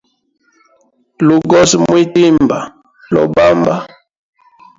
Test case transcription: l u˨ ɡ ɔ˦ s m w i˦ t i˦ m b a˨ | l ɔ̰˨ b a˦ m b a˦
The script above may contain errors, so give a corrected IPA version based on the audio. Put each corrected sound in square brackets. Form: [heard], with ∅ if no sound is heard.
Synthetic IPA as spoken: l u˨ ɡ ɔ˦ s m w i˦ t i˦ m b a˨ | l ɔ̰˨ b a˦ m b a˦